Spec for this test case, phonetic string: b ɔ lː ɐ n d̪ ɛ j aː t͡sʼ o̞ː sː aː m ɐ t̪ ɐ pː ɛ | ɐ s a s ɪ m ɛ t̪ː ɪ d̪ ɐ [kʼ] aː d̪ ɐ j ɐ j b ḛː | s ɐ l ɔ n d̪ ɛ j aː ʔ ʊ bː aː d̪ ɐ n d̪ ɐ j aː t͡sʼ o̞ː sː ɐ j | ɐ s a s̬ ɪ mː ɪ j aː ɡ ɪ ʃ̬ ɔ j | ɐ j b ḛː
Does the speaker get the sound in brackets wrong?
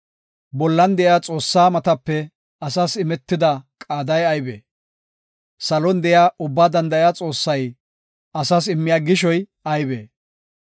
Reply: no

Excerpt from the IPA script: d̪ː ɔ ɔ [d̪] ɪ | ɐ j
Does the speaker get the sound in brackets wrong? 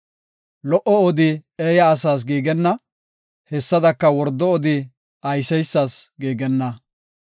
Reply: no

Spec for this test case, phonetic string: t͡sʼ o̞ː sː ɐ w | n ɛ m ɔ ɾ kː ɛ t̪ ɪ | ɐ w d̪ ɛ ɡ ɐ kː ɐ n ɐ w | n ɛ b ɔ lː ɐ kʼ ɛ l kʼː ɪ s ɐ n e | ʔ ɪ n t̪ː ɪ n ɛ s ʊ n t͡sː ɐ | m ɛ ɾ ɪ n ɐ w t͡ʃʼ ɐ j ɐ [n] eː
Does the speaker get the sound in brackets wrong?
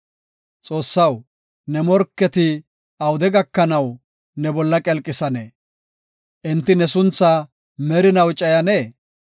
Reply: no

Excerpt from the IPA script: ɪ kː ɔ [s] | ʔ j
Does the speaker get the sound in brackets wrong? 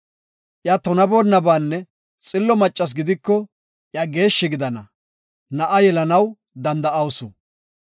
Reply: yes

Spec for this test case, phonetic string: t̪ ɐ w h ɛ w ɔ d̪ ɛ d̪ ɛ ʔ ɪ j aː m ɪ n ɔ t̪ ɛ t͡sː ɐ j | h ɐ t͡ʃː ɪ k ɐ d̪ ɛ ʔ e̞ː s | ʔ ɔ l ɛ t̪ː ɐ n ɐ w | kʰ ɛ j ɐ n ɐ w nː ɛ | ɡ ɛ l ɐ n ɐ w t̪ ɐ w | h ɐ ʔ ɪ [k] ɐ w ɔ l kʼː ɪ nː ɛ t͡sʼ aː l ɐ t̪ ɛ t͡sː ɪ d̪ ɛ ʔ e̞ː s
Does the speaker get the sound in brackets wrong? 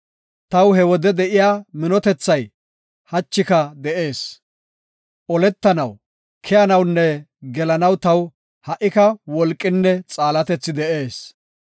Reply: no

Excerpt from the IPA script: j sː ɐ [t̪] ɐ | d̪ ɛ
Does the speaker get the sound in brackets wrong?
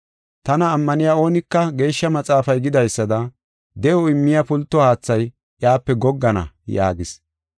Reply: yes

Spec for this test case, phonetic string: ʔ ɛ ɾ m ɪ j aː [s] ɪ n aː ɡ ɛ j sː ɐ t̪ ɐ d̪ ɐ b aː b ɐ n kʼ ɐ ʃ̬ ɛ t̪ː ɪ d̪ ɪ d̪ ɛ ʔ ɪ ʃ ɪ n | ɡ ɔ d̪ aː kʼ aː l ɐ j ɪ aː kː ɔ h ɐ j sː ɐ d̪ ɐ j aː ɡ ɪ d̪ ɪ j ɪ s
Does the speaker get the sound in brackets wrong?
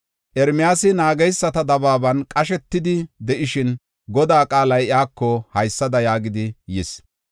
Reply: no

